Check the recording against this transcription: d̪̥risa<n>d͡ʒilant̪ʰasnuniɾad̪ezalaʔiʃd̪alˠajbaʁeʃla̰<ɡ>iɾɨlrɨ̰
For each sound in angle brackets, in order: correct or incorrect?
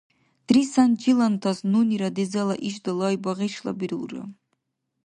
correct, incorrect: b

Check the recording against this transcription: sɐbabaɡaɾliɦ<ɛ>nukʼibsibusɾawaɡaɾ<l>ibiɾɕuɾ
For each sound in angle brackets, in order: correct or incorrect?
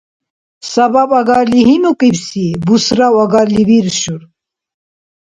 incorrect: i, correct

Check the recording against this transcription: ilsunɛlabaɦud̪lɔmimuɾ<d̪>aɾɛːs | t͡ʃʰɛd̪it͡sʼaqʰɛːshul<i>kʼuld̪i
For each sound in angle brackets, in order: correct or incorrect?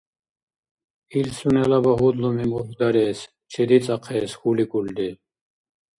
correct, correct

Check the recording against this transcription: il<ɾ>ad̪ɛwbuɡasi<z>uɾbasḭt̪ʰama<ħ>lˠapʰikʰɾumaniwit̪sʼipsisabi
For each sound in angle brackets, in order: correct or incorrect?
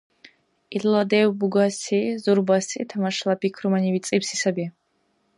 incorrect: l, correct, incorrect: ʃ

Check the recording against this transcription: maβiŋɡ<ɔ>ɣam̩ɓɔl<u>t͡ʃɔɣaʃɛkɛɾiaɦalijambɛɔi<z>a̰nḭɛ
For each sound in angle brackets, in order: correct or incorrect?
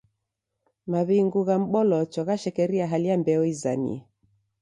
incorrect: u, incorrect: ɔ, correct

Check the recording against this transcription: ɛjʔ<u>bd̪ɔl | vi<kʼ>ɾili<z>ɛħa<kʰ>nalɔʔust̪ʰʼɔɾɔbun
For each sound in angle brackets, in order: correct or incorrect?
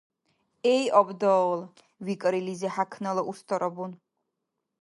incorrect: ɔ, correct, correct, correct

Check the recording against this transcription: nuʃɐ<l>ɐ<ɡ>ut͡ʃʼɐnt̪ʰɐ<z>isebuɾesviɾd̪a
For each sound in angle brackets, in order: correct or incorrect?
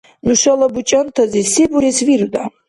correct, incorrect: b, correct

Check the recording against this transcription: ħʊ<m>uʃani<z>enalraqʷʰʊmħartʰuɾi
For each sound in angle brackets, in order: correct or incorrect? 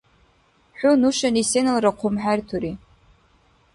incorrect: n, incorrect: s

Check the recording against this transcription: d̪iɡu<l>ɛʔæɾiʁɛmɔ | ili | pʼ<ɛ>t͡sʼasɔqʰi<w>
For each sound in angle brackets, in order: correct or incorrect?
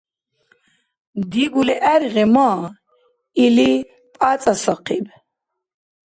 correct, incorrect: a, incorrect: b

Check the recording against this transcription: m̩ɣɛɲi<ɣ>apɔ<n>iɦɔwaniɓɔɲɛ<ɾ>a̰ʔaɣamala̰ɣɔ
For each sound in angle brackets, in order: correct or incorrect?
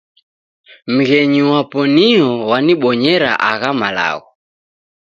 incorrect: w, correct, correct

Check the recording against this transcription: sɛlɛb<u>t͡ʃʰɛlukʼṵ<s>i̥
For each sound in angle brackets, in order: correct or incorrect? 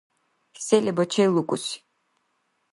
incorrect: ɔ, correct

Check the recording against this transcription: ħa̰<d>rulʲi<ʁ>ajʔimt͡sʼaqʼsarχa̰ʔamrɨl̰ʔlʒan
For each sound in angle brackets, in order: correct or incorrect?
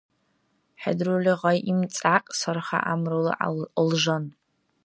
correct, correct

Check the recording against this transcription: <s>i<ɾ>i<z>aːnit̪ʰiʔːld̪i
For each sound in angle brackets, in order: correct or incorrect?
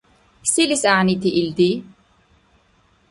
correct, incorrect: l, incorrect: s

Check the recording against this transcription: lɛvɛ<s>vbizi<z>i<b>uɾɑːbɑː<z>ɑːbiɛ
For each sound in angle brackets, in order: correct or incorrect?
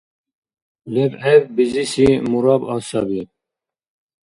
incorrect: none, incorrect: s, incorrect: m, incorrect: s

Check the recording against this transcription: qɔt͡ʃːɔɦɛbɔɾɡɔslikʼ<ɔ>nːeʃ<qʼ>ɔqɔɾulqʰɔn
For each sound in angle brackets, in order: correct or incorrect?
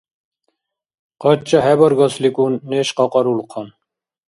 incorrect: u, incorrect: q

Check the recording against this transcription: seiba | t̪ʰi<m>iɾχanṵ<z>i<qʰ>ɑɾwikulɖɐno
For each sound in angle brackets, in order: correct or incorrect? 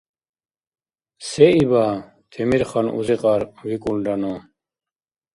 correct, correct, incorrect: q

